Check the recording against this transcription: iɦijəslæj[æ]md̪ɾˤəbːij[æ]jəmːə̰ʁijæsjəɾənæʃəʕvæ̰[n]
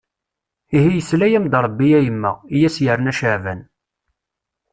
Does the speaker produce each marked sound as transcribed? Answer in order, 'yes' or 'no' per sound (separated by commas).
yes, yes, yes